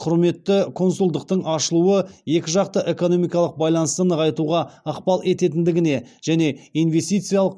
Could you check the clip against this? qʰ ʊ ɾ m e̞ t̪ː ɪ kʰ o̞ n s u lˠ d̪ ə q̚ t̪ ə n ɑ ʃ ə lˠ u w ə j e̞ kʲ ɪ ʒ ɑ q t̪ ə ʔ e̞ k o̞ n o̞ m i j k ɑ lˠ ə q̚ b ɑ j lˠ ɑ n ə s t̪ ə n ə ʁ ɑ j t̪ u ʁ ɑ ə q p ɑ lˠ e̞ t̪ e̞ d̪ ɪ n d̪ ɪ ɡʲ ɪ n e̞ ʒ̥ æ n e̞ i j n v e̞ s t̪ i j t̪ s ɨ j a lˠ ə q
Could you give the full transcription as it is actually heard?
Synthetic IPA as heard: qʰ ʊ ɾ m e̞ t̪ː ɪ kʰ o̞ n s u lˠ d̪ ə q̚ t̪ ə ɴ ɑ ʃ ə lˠ u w ə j e̞ kʲ ɪ ʒ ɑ q t̪ ə ʔ e̞ k o̞ n o̞ m i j k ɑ lˠ ə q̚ b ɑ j lˠ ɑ n ə s t̪ ə n ə ʁ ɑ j t̪ u ʁ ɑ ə q p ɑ lˠ e̞ t̪ e̞ t̪ ɪ n d̪ ɪ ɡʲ ɪ n e̞ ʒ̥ æ n e̞ i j n v e̞ s t̪ i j t̪ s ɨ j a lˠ ə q

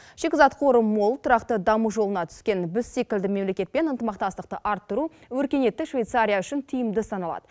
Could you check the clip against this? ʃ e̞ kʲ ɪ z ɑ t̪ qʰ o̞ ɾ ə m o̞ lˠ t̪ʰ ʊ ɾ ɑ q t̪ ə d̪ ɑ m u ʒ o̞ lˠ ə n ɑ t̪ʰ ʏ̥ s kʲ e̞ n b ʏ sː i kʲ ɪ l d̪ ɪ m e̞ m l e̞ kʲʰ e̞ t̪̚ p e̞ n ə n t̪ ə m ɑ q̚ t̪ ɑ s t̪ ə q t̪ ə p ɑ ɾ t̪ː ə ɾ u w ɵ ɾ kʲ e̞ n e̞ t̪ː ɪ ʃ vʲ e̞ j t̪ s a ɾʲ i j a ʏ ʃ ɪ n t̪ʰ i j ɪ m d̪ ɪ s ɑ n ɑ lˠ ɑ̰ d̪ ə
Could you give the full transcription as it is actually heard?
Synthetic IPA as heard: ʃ e̞ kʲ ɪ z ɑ t̪ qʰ o̞ ɾ ə m o̞ lˠ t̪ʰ ʊ ɾ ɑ q t̪ ə d̪ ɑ m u ʒ o̞ lˠ ə n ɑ t̪ʰ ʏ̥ s kʲ e̞ n b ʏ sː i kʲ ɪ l d̪ ɪ m e̞ m l e̞ kʲ e̞ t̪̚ p e̞ n ə n t̪ ə m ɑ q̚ t̪ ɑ s t̪ ə q t̪ ə ʔ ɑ ɾ t̪ː ə ɾ u w ɵ ɾ kʲ e̞ n e̞ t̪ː ɪ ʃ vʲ e̞ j t̪ s a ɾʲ i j a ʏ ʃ ɪ n t̪ʰ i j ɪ m d̪ ɪ s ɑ n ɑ lˠ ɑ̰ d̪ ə

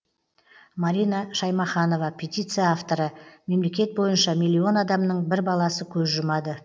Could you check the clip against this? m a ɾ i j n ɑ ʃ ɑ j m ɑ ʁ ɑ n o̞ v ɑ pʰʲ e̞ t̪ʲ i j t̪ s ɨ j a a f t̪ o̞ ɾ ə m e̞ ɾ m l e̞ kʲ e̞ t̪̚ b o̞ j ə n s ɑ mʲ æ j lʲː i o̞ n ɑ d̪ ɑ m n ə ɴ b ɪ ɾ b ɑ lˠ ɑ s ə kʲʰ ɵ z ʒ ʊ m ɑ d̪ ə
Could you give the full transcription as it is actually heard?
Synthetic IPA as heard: m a ɾ i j n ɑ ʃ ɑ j m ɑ χ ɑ n o̞ v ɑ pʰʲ e̞ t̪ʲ i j t̪ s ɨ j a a f t̪ o̞ ɾ ə m e̞ m l e̞ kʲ e̞ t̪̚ b o̞ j ə n ʃ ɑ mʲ i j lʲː i o̞ n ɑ d̪ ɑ m n ə ɴ b ɪ ɾ b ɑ lˠ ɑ s ə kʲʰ ɵ z ʒ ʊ m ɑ d̪ ə

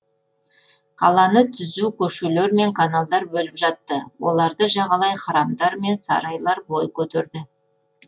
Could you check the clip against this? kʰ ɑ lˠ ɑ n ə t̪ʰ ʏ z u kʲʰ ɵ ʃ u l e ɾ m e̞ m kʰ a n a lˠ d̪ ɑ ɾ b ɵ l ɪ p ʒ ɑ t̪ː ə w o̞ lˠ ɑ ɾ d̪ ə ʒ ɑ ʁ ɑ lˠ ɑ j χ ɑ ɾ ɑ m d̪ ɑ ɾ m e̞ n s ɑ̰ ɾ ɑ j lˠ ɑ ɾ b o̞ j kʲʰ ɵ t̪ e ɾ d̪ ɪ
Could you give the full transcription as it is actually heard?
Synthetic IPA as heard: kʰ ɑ lˠ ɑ n ə t̪ʰ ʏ z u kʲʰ ɵ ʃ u l e ɾ m e̞ ŋ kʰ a n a lˠ d̪ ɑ ɾ b ɵ l ɪ p ʒ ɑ t̪ː ə w o̞ lˠ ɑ ɾ d̪ ə ʒ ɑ ʁ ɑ lˠ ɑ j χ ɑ ɾ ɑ m d̪ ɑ ɾ m e̞ n s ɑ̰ ɾ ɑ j lˠ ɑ ɾ b o̞ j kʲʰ ɵ t̪ e ɾ d̪ ɪ

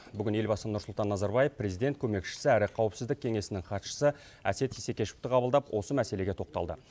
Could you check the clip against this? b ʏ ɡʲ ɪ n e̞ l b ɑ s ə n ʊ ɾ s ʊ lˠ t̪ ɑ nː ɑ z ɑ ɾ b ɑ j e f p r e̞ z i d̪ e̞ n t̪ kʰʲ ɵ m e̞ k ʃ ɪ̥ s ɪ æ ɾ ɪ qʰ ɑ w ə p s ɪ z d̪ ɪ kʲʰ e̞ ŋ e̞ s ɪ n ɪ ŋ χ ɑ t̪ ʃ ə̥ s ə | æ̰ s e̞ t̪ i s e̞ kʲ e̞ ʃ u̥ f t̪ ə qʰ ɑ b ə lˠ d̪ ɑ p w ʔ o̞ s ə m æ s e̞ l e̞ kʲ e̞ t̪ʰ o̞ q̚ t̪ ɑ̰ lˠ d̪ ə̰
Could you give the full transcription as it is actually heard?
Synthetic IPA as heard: b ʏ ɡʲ ɪ n e̞ l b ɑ s ə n ʊ ɾ s ʊ lˠ t̪ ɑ nː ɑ z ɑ ɾ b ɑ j e f p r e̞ z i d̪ e̞ n t̪ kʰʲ ɵ m e̞ k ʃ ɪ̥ s ɪ æ ɾ ɪ qʰ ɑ w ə p s ɪ z d̪ ɪ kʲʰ e̞ ŋ e̞ s ɪ n ɪ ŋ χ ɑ t̪ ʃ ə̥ s ə | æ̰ s e̞ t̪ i s e̞ kʲ e̞ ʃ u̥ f t̪ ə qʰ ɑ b ə lˠ d̪ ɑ p w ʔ o̞ s ə m æ s e̞ l e̞ ɡʲ e̞ t̪ʰ o̞ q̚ t̪ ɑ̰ lˠ d̪ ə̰

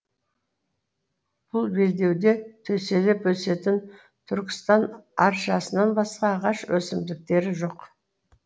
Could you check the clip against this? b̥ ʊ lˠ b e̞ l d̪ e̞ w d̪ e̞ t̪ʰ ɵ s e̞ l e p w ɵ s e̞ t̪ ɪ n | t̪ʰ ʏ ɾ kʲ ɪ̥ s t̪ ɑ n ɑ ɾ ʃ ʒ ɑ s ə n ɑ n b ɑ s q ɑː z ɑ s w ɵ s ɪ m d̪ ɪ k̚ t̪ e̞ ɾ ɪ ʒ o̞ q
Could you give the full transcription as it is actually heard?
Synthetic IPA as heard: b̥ ʊ lˠ b e̞ l d̪ e̞ w d̪ e̞ t̪ʰ ɵ s e̞ l e p w ɵ s e̞ t̪ ɪ n | t̪ʰ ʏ ɾ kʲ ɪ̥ s t̪ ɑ n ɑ ɾ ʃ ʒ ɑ s ə n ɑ n b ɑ s q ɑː ʁ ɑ ʃ w ɵ s ɪ m d̪ ɪ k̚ t̪ e̞ ɾ ɪ ʒ o̞ q

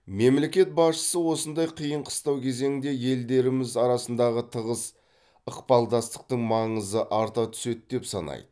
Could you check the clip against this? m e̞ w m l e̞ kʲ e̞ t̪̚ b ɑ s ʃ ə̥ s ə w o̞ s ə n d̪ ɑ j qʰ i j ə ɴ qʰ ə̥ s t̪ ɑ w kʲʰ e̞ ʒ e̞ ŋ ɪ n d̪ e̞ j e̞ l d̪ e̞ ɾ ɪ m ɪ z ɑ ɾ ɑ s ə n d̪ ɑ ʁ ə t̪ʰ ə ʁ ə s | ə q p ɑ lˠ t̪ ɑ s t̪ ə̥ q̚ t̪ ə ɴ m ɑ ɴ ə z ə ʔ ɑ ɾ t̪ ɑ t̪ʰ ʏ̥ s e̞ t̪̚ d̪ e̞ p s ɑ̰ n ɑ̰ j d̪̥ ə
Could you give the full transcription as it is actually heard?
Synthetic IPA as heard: m e̞ m l e̞ kʲ e̞ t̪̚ b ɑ s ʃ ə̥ s ə w o̞ s ə n d̪ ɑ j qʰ i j ə ɴ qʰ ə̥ s t̪ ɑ w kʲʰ e̞ z e̞ ŋ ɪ n d̪ e̞ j e̞ l d̪ e̞ ɾ ɪ m ɪ z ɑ ɾ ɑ s ə n d̪ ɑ ʁ ə t̪ʰ ə ʁ ə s | ə q p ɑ lˠ d̪ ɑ s t̪ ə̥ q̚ t̪ ə ɴ m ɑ ɴ ə z ə ʔ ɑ ɾ t̪ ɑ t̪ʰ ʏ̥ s e̞ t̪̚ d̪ e̞ p s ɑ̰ n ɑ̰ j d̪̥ ə

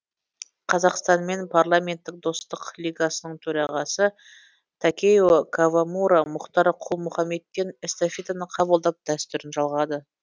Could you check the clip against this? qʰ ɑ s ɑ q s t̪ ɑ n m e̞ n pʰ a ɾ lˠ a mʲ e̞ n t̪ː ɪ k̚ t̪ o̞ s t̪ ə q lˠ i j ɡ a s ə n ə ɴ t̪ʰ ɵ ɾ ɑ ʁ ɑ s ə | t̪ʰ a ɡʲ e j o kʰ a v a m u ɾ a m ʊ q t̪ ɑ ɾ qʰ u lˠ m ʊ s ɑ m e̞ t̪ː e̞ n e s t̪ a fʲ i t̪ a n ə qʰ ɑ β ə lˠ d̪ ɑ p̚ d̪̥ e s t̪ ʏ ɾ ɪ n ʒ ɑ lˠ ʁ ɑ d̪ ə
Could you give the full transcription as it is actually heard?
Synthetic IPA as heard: qʰ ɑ z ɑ q s t̪ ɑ n m e̞ n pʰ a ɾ lˠ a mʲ e̞ n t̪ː ɪ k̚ d̪ o̞ s t̪ ə q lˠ i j ɡ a s ə n ə ɴ t̪ʰ ɵ ɾ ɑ ʁ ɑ s ə | t̪ʰ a kʲ e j o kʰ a v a m u ɾ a m ʊ q t̪ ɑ ɾ qʰ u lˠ m ʊ χ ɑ m e̞ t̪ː e̞ n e s t̪ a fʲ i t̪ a n ə qʰ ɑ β ə lˠ d̪ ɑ p̚ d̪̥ æ s t̪ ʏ ɾ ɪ n ʒ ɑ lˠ ʁ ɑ d̪ ə

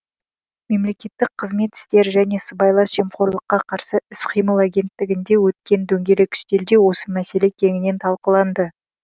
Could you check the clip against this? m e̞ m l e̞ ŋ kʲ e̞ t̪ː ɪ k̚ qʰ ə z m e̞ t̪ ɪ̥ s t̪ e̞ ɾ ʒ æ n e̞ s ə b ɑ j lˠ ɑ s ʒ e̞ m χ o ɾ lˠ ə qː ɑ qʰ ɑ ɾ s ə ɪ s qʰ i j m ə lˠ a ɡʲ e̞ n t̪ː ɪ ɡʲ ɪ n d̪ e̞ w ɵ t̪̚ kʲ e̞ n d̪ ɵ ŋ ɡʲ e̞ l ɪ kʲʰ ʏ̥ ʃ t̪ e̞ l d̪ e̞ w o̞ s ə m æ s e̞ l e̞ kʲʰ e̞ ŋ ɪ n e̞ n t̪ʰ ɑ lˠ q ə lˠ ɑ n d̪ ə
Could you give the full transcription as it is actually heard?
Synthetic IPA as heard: m e̞ m l e̞ kʲ e̞ t̪ː ɪ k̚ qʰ ə z m e̞ t̪ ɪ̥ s t̪ e̞ ɾ ʒ æ n e̞ s ə b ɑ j lˠ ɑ s ʒ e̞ m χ o ɾ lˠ ə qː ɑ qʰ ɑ ɾ s ə ɪ s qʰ i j m ə lˠ a ɡʲ e̞ n t̪ː ɪ ɡʲ ɪ n d̪ e̞ w ɵ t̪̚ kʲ e̞ n d̪ ɵ ŋ ɡʲ e̞ l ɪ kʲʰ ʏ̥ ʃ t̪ e̞ l d̪ e̞ w o̞ s ə m æ s e̞ l e̞ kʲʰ e̞ ŋ ɪ n e̞ n t̪ʰ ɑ lˠ q ə lˠ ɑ n d̪ ə

